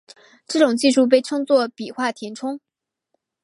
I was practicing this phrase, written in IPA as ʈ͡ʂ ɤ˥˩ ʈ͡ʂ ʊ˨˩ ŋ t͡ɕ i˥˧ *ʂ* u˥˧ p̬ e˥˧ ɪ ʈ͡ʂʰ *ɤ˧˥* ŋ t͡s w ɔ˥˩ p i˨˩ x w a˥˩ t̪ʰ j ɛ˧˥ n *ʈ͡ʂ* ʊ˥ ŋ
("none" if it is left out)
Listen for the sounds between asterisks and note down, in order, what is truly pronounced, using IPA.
ʂ, ɤ˥, ʈ͡ʂʰ

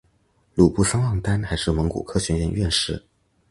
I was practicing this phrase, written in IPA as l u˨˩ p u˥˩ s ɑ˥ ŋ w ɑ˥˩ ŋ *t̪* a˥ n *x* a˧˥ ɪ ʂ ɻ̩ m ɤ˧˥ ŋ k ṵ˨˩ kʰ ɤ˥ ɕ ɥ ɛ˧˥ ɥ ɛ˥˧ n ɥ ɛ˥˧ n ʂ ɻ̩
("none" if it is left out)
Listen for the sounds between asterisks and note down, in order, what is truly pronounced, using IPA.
t̪, x

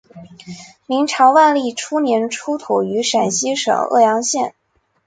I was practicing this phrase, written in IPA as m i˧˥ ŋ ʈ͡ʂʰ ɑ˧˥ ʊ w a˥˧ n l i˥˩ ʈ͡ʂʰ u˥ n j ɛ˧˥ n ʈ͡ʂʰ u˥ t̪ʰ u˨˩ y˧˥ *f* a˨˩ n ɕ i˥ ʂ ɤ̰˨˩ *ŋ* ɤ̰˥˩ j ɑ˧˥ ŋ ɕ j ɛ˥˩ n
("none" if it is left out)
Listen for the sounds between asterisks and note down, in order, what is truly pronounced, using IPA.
ʂ, ŋ

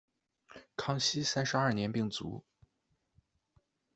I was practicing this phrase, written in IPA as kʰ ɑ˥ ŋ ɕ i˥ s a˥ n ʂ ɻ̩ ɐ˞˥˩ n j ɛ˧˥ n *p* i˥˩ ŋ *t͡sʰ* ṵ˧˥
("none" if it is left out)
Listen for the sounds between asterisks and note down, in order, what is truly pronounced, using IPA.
p, t͡s

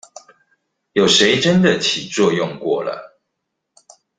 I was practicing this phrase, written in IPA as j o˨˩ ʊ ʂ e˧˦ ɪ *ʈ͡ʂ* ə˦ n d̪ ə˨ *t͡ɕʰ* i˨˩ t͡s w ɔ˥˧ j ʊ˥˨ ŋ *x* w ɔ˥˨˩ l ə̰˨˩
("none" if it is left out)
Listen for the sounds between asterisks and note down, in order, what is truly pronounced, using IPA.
ʈ͡ʂ, t͡ɕʰ, k

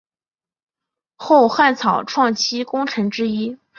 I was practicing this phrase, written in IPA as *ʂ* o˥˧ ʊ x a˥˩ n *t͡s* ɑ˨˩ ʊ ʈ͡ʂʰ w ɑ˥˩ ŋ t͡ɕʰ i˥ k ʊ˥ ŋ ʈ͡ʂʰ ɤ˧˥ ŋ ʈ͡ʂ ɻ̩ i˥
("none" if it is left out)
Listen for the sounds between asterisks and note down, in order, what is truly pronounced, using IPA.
x, t͡sʰ

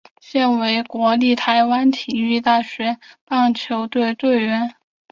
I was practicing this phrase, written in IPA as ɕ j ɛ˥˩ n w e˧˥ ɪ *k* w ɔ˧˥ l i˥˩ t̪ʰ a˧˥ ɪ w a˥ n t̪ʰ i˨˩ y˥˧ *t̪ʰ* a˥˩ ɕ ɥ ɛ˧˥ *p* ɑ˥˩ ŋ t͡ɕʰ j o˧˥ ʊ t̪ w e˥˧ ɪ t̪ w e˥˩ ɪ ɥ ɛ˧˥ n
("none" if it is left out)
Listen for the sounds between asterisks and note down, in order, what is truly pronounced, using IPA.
k, t̪, p

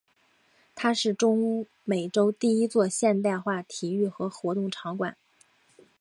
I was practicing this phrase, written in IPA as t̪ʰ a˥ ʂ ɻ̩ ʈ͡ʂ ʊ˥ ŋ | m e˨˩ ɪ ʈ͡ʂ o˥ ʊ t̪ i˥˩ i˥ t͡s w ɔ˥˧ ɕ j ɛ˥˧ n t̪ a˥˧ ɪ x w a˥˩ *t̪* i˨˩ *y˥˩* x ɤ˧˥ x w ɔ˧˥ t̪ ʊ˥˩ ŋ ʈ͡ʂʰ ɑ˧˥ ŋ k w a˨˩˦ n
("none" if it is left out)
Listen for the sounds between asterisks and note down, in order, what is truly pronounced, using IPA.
t̪ʰ, y˥˩

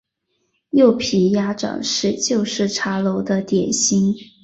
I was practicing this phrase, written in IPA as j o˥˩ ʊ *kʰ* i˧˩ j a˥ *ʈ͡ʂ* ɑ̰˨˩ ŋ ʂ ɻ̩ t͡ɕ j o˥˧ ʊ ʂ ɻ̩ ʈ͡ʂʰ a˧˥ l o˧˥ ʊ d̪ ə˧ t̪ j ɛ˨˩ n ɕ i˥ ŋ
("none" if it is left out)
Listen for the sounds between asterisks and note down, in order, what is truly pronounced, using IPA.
pʰ, ʈ͡ʂ

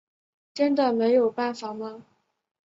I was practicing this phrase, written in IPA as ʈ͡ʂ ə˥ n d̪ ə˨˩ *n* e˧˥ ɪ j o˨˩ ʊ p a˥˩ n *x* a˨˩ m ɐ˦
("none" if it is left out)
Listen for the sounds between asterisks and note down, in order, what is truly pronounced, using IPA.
m, f

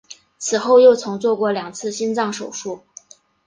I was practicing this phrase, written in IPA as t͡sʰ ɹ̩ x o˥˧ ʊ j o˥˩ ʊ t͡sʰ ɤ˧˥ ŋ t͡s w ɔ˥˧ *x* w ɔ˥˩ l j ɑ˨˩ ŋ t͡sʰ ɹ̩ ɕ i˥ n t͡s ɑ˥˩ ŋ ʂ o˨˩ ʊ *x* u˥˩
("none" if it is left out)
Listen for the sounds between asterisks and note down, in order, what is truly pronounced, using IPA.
k, ʂ

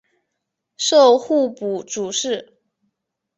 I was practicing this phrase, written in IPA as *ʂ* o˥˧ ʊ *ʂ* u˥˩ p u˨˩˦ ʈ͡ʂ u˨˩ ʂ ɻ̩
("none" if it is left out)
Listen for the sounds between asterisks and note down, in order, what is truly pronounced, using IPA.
ʂ, x

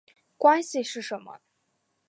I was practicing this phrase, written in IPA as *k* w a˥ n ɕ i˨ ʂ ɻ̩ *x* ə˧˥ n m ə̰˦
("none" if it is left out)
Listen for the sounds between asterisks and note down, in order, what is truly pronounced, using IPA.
k, ʂ

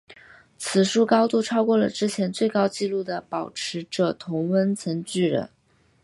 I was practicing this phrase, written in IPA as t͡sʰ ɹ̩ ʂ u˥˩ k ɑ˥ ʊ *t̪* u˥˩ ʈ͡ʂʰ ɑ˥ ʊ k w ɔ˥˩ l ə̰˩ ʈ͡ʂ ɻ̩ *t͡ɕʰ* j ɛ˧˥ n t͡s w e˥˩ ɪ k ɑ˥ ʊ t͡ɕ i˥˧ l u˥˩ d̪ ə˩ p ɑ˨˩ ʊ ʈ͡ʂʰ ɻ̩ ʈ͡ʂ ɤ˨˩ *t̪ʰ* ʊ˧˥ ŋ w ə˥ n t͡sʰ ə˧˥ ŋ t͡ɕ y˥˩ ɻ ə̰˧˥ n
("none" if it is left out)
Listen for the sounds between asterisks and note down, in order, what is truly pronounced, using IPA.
t̪, t͡ɕʰ, t̪ʰ

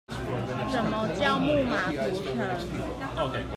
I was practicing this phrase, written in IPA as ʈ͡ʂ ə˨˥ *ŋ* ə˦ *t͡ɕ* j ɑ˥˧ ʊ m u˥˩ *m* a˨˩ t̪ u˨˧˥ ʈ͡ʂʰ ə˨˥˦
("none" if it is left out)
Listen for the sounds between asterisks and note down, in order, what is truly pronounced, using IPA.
m, t͡ɕ, m

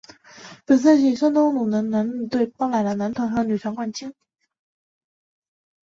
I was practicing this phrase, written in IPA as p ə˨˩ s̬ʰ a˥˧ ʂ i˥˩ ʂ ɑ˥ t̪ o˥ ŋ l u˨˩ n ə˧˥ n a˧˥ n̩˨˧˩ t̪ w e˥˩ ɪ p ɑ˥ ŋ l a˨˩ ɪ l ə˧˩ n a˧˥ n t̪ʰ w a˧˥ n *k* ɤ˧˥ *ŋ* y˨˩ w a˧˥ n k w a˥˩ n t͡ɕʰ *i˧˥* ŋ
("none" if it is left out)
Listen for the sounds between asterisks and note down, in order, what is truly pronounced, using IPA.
x, n, i˥

